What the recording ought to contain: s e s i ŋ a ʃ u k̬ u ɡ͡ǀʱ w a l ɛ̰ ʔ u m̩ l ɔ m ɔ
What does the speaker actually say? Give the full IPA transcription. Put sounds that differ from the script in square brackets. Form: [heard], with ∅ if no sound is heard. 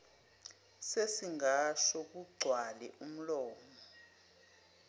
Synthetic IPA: s e s i ŋ a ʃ [ɔ] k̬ u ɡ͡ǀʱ w a l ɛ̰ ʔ u m̩ l [ɔː] m ɔ